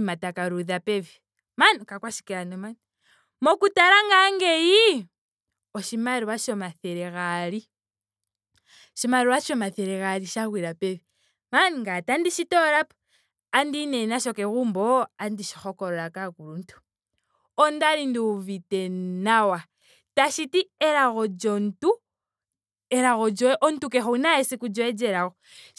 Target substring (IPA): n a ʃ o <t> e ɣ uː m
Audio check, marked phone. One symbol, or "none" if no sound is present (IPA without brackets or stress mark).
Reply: k